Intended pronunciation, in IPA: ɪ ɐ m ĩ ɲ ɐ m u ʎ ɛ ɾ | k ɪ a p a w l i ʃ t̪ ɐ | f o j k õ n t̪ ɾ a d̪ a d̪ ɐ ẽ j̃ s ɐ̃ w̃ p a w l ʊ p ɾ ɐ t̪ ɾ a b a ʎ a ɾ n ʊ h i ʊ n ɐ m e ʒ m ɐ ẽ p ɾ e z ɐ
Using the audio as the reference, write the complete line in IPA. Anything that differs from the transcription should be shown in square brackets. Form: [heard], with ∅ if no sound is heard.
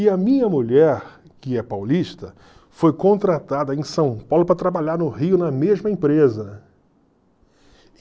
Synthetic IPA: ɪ ɐ m ĩ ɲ ɐ m u ʎ ɛ ɾ | k ɪ [ɛ] p a w l i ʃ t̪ ɐ | f o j k õ n t̪ ɾ a [t̪] a d̪ ɐ ẽ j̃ s ɐ̃ w̃ p a w l ʊ p ɾ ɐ t̪ ɾ a b a ʎ a ɾ n ʊ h i ʊ n ɐ m e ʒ m ɐ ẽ p ɾ e z ɐ